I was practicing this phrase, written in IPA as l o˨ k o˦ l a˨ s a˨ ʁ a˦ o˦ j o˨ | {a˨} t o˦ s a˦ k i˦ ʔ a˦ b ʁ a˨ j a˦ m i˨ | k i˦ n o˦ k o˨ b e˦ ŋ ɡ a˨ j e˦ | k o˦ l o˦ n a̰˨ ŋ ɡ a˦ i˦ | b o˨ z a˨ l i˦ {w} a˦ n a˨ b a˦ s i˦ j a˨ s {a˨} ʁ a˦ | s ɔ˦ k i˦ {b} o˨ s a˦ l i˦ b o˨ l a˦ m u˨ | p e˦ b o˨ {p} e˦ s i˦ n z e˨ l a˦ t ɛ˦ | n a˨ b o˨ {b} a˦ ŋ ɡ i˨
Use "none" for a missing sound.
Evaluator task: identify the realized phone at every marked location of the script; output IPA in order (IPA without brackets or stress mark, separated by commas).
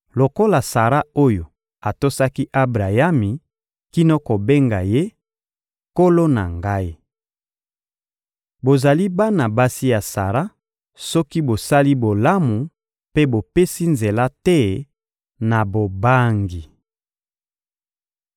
a˨, b, a˨, b, p, b